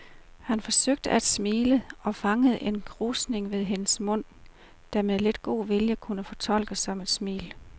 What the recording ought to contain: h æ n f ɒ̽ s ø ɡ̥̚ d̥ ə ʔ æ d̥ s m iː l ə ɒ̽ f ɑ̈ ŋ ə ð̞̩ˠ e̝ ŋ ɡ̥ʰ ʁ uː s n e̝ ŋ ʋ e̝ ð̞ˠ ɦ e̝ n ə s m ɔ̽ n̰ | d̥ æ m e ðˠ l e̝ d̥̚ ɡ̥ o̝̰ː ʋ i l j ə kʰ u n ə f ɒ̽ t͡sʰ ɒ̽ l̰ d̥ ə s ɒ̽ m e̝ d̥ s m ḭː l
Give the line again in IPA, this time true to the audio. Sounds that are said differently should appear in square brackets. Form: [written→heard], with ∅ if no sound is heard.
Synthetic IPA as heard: h æ n f ɒ̽ s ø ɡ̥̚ d̥ ə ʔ æ d̥ s m iː l ə ɒ̽ f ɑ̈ ŋ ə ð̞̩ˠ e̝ [ŋ→n] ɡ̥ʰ ʁ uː s n e̝ ŋ ʋ e̝ ð̞ˠ ɦ e̝ n ə s m ɔ̽ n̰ | d̥ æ m e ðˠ l e̝ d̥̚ ɡ̥ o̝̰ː ʋ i l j ə kʰ u n ə f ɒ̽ t͡sʰ ɒ̽ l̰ [d̥→ɡ̥] ə s ɒ̽ m e̝ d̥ s m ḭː l